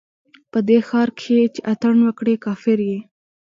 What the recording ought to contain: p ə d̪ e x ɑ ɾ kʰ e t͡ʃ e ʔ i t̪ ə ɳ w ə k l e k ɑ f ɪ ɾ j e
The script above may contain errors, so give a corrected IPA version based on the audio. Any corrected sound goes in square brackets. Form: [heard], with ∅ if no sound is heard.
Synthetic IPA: p ə d̪ e x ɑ ɾ kʰ e t͡ʃ e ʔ [a] t̪ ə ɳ w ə k [ɽ] e k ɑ f ɪ ɾ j e